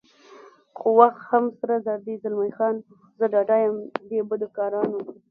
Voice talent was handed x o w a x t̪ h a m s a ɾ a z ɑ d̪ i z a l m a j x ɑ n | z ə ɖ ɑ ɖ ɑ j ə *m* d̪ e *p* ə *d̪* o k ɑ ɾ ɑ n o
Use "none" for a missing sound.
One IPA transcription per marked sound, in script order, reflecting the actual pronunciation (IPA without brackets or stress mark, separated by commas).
m, b, d̪